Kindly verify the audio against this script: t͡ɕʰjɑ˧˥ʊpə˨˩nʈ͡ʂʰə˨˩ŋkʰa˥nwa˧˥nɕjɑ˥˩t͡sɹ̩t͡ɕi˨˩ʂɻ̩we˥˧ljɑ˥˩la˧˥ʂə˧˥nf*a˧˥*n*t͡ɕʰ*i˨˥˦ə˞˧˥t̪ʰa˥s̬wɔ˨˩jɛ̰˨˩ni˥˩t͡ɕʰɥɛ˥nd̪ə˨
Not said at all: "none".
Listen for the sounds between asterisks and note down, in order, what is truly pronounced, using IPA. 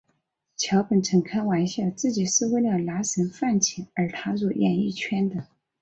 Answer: a˥˩, t͡ɕʰ

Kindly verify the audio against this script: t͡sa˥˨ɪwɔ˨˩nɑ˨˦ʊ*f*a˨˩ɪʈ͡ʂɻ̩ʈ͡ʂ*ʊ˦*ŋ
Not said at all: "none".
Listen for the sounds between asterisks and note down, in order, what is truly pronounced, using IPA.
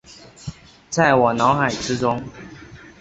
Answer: x, ʊ˦

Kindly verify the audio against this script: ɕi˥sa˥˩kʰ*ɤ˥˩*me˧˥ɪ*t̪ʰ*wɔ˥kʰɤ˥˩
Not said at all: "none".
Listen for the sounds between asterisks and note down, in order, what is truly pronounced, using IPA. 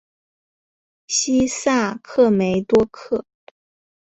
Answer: ɤ˥˩, t̪

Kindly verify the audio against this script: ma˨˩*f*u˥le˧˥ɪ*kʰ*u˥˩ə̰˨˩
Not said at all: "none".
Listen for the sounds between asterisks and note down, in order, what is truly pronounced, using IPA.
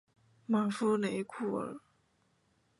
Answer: f, kʰ

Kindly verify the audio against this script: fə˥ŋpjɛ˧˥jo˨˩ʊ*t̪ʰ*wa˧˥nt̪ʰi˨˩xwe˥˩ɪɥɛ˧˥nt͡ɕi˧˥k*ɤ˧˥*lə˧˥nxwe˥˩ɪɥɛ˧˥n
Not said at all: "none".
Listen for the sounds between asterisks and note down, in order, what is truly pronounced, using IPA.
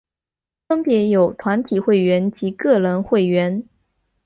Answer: t̪ʰ, ɤ˥˩

